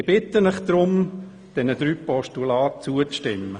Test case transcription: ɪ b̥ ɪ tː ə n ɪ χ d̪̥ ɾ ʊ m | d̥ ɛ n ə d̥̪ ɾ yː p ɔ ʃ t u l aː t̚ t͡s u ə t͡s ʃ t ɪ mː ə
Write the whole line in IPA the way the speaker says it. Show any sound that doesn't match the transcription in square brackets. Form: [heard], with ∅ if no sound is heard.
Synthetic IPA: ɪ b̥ ɪ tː ə n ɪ χ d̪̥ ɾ ʊ m | d̥ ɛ n ə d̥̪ ɾ yː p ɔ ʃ t u l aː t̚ t͡s u ə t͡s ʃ t ɪ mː ə